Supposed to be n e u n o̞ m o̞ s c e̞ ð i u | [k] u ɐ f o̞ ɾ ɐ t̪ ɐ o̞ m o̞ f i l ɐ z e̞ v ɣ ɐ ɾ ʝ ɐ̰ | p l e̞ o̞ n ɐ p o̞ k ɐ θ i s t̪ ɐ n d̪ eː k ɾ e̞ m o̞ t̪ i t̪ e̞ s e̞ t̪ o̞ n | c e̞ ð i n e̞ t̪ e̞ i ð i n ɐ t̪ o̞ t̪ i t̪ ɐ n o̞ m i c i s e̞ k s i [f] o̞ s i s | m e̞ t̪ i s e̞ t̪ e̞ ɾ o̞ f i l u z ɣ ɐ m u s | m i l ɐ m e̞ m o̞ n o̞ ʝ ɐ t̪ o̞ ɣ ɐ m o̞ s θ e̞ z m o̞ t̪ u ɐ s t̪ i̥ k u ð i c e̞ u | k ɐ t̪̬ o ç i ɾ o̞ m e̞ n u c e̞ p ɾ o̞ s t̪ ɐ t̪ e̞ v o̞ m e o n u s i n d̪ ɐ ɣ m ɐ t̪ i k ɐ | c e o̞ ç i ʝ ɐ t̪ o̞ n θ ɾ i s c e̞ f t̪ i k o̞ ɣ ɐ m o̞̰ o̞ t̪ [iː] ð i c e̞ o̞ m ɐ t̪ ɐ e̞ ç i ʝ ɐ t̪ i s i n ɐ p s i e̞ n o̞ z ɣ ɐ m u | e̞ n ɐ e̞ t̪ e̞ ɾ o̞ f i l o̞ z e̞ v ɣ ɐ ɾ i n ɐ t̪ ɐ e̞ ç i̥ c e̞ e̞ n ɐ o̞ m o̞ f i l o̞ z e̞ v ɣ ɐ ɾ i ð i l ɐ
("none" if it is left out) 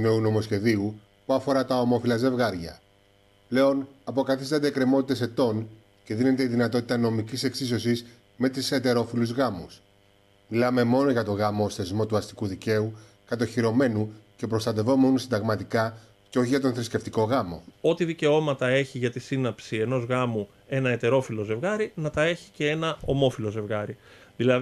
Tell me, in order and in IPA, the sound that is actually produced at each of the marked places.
p, s, i

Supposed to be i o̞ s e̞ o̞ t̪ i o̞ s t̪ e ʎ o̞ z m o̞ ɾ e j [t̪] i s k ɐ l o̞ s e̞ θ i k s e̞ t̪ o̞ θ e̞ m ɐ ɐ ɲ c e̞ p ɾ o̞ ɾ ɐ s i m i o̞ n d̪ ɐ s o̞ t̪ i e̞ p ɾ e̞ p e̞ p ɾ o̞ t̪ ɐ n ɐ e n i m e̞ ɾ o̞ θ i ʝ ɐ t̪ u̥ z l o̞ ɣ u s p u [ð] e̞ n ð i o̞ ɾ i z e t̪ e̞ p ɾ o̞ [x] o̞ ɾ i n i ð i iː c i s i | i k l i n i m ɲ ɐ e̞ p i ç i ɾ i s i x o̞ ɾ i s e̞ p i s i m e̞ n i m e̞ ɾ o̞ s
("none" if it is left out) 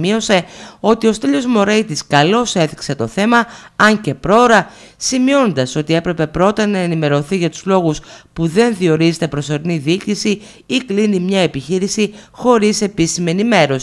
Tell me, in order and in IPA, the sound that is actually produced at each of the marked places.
t̪, ð, s

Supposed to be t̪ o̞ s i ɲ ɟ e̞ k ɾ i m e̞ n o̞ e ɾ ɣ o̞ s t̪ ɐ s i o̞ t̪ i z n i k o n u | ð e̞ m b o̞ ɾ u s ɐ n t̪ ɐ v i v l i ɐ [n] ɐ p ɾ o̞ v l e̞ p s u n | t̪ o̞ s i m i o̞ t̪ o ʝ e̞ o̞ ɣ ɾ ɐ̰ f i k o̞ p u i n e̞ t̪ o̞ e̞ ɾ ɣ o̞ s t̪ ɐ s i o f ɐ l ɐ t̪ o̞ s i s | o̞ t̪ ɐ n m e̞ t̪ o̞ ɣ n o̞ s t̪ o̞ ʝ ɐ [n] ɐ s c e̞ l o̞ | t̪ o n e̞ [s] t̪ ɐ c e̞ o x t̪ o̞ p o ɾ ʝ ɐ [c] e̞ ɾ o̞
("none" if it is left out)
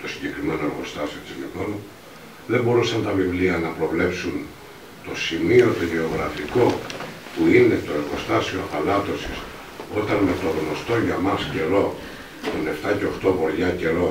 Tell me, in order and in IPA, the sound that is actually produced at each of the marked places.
n, m, f, c

